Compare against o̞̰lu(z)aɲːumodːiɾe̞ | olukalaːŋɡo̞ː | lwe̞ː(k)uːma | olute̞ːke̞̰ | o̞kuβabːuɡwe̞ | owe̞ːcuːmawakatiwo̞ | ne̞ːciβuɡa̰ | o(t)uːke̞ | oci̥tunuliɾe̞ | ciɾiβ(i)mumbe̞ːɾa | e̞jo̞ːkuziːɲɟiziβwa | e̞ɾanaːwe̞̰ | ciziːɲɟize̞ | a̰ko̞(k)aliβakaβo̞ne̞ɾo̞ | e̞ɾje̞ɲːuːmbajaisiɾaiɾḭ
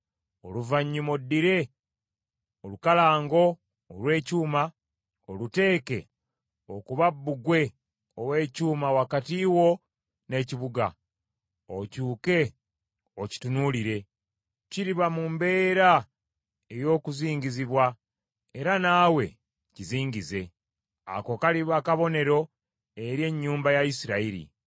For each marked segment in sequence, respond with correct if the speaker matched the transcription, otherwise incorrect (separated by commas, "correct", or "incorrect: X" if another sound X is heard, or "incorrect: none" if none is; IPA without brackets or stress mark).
incorrect: v, incorrect: c, incorrect: c, incorrect: a, correct